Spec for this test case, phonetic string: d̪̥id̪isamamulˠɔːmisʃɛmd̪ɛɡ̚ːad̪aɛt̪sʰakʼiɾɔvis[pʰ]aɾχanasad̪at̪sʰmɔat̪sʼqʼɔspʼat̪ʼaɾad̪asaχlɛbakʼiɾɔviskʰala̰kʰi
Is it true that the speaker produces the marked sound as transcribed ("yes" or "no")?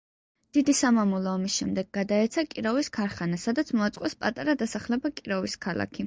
no